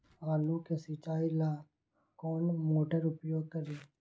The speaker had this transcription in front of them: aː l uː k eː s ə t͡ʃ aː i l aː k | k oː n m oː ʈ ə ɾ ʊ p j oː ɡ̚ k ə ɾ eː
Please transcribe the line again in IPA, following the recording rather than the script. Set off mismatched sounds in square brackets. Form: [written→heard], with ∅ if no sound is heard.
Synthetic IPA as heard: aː l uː k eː s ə t͡ʃ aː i l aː [k→∅] | k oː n m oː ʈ ə ɾ ʊ p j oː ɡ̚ k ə ɾ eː